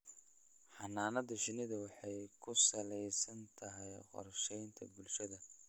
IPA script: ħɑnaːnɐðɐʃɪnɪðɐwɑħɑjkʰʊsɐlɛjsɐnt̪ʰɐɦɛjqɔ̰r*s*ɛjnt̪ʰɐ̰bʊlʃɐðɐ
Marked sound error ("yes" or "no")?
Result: yes